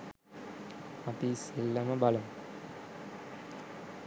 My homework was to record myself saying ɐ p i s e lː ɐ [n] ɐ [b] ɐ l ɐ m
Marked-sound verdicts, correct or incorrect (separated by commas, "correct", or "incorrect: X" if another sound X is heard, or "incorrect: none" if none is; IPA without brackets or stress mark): incorrect: m, correct